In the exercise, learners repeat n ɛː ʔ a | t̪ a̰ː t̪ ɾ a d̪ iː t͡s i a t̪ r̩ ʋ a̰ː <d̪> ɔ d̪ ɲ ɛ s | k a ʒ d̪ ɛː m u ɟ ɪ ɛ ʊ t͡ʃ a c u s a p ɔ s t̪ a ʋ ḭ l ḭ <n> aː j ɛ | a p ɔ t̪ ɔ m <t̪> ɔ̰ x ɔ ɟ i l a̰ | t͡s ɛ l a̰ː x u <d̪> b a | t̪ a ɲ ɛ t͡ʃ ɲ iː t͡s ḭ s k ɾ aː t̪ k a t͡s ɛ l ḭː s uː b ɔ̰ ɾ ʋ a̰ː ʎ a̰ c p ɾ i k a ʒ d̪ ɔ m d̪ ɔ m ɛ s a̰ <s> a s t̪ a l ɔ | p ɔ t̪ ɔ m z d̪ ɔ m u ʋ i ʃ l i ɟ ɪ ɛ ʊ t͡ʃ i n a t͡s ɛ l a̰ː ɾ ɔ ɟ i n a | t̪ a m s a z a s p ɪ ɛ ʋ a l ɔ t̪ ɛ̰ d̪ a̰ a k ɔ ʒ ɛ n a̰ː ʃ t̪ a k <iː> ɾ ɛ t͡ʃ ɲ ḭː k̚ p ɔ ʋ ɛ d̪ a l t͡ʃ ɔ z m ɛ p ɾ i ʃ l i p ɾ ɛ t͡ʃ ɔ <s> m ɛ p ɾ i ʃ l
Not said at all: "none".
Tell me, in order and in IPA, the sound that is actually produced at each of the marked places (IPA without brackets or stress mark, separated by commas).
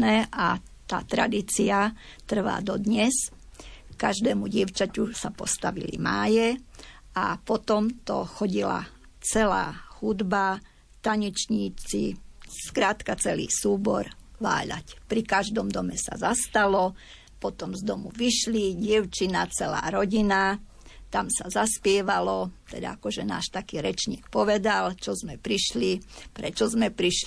d̪, m, t̪, d̪, z, iː, z